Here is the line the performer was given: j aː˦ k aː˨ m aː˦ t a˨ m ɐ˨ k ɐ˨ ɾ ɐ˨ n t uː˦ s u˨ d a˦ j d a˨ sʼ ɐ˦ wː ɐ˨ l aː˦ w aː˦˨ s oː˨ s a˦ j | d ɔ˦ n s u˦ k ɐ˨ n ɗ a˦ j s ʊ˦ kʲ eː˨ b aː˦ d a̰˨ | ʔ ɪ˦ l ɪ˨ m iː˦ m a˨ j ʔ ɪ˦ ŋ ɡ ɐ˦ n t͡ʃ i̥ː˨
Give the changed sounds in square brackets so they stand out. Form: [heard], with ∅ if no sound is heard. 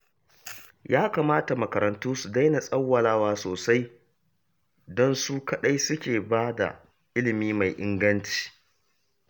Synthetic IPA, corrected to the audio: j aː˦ k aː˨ m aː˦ t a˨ m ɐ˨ k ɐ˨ ɾ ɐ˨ n t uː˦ s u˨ d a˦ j [n] a˨ sʼ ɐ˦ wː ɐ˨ l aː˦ w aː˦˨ s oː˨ s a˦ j | d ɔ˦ n s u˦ k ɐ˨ [∅] ɗ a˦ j s ʊ˦ kʲ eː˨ b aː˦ d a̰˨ | ʔ ɪ˦ l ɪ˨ m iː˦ m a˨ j ʔ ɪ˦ ŋ ɡ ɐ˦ n t͡ʃ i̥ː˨